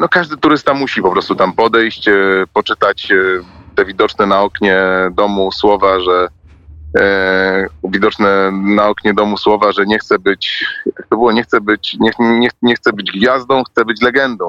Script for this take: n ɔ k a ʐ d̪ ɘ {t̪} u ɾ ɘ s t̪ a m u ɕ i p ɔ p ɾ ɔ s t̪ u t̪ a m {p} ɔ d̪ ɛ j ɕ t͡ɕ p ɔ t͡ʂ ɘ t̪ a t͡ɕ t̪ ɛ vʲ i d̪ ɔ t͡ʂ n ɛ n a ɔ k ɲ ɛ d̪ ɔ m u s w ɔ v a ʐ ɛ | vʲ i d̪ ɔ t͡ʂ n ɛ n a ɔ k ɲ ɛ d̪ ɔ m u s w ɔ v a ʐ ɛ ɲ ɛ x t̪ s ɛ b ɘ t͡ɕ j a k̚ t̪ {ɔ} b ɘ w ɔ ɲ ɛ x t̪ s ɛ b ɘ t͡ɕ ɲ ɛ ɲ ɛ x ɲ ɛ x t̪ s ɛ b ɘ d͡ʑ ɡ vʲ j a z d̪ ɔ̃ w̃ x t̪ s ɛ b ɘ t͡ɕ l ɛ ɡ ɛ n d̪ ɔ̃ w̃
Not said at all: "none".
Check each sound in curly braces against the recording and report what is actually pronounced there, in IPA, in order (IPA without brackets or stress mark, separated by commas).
t̪, p, ɔ